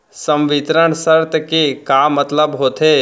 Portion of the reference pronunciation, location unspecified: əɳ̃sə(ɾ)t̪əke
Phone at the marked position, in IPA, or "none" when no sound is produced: ɾ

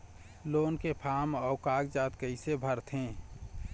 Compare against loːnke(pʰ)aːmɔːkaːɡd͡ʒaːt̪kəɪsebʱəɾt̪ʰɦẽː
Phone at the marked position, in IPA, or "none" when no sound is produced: pʰ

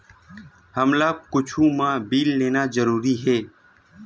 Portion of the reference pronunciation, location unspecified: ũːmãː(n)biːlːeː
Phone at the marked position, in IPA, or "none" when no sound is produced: none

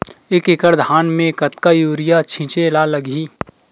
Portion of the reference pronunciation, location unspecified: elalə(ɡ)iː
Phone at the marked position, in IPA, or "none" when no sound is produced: ɡ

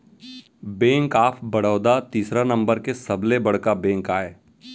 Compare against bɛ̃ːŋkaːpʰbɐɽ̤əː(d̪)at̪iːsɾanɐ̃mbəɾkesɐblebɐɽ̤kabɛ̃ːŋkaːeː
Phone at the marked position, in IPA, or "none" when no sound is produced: d̪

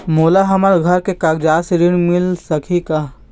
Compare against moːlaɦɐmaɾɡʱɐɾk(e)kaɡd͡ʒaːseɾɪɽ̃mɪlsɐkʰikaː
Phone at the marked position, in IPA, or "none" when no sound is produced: e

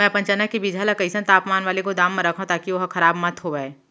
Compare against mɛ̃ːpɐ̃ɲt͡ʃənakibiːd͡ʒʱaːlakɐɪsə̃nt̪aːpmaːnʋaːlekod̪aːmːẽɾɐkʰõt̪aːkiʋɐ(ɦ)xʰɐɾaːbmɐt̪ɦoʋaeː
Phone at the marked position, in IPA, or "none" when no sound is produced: ɦ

